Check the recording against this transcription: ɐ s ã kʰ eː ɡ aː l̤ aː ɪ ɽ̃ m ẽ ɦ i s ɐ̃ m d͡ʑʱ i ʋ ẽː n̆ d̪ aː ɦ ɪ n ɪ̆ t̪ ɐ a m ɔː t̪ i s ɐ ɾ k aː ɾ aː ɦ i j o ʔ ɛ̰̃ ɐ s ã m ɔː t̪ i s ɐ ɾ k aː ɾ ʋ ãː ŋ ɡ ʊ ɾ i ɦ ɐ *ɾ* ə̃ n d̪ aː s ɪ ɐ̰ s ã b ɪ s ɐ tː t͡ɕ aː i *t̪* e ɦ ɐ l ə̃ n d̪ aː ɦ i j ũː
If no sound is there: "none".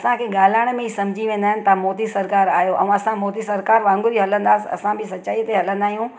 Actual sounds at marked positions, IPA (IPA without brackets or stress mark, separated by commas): l, t̪